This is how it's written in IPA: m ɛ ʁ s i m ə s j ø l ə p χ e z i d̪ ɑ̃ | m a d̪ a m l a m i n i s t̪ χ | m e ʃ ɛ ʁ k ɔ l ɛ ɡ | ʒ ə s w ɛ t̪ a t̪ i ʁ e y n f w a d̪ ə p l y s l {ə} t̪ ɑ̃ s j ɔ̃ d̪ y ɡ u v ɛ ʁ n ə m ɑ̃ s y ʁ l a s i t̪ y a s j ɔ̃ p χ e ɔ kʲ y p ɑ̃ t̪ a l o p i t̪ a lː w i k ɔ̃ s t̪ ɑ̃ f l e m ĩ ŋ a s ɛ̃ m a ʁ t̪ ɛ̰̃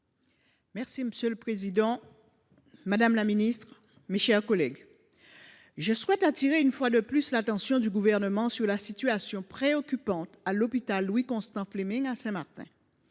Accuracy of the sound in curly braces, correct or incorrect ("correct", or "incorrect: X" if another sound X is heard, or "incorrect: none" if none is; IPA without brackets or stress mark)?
incorrect: a